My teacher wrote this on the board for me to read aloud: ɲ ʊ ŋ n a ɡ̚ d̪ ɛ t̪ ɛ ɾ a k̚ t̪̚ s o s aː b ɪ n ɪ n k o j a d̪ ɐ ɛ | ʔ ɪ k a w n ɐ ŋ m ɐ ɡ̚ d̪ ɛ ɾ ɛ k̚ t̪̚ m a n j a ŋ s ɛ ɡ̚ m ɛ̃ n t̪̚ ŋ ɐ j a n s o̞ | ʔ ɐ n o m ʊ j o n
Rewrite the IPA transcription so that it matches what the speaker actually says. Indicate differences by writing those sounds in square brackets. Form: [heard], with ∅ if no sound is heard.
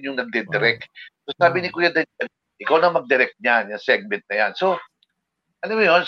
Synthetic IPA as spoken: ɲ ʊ ŋ n [ɐ] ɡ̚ d̪ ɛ [d̪] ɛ ɾ [ɛ] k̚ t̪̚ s o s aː b ɪ n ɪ [∅] k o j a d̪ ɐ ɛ | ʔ ɪ k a w n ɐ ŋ m ɐ ɡ̚ d̪ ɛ ɾ ɛ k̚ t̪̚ [ɲ] a n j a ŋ s ɛ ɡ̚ m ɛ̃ n t̪̚ [n] ɐ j a n s o̞ | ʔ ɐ n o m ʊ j o n